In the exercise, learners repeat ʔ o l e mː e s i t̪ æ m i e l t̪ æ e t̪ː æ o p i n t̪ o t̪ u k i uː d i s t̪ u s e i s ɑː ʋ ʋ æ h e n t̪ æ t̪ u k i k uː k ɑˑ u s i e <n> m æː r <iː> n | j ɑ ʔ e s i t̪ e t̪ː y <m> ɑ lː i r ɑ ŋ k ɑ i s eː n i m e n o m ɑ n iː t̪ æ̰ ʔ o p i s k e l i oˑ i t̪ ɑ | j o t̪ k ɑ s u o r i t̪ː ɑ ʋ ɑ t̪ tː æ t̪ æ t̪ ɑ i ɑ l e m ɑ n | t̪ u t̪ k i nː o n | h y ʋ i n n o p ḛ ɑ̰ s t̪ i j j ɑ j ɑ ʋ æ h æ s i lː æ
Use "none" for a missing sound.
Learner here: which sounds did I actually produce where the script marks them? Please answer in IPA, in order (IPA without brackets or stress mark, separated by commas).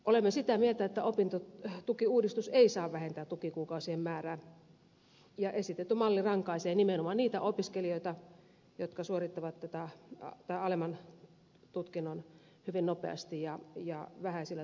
m, æː, m